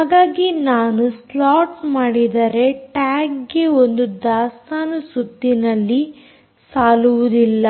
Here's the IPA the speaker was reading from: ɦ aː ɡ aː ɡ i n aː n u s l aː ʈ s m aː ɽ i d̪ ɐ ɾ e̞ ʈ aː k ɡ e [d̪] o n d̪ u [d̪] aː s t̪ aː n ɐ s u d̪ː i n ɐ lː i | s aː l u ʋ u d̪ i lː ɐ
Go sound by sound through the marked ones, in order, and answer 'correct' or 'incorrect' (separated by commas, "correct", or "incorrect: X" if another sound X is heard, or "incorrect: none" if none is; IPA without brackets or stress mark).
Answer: incorrect: none, correct